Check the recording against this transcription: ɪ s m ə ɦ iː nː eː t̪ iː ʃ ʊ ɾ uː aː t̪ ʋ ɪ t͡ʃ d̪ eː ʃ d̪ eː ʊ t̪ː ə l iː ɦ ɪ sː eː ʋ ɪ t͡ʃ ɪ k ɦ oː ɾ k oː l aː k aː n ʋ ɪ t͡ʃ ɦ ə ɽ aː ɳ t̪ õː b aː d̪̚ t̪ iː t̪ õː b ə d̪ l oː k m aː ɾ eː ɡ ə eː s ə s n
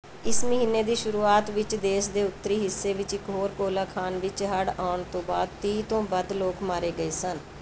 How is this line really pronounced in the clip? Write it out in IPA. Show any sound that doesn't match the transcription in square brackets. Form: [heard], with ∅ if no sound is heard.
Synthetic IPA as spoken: ɪ s m ə ɦ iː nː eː [d̪] iː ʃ ʊ ɾ uː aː t̪ ʋ ɪ t͡ʃ d̪ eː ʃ d̪ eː ʊ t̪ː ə [ɾ] iː ɦ ɪ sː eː ʋ ɪ t͡ʃ ɪ k ɦ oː ɾ k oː l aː [kʰ] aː n ʋ ɪ t͡ʃ ɦ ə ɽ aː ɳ t̪ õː b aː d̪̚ t̪ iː t̪ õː b ə d̪ l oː k m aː ɾ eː ɡ ə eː s ə [∅] n